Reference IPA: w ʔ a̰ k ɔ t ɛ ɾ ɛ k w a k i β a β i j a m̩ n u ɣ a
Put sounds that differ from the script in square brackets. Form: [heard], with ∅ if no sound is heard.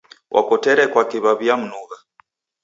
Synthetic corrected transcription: w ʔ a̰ k ɔ t ɛ ɾ ɛ k w a k i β a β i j a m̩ n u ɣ a